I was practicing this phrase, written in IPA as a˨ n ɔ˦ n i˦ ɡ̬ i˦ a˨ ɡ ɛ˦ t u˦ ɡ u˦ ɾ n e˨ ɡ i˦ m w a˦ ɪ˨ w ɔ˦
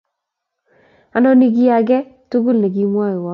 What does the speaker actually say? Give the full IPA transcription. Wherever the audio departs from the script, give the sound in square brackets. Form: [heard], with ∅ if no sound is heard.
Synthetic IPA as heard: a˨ n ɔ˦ n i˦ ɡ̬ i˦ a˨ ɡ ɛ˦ t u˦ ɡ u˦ [l] n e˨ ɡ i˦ m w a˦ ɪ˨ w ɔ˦